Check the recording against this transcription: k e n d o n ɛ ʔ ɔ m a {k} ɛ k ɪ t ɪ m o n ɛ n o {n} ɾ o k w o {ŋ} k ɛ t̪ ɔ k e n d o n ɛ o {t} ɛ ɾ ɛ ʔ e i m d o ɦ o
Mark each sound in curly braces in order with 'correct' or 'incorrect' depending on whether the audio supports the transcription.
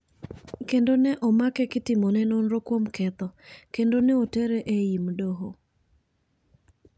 correct, correct, incorrect: m, correct

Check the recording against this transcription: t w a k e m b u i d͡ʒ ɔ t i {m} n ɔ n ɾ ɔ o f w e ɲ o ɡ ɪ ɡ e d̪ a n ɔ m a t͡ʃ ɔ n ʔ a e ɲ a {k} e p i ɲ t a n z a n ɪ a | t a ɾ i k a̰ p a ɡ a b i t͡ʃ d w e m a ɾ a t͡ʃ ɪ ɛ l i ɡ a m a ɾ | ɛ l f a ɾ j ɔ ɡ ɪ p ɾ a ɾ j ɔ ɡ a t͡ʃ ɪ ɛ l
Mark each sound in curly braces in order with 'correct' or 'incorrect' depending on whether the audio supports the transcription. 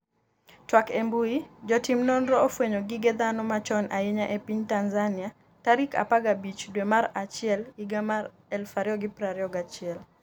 correct, incorrect: ʔ

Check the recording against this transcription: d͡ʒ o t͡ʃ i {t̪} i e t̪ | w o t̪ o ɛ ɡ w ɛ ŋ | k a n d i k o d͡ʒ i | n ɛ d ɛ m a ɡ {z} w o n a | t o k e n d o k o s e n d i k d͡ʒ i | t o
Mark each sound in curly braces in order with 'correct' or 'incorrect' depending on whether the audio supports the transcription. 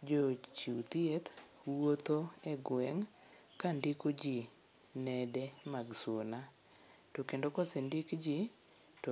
correct, incorrect: s

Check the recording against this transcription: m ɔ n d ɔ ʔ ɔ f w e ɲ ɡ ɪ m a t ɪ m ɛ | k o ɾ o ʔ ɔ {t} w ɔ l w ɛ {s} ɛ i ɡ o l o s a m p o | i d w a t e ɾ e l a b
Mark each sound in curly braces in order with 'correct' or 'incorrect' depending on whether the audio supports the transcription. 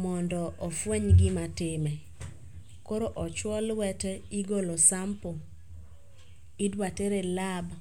incorrect: t͡ʃ, incorrect: t

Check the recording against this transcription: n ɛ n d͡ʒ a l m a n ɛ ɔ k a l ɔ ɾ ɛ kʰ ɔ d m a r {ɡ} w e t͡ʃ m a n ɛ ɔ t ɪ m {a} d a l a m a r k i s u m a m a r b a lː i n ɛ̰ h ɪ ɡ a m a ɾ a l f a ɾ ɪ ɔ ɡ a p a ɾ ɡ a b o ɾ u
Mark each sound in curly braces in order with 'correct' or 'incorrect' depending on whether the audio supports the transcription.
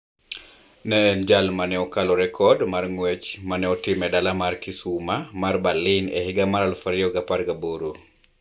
incorrect: ŋ, incorrect: ɛ

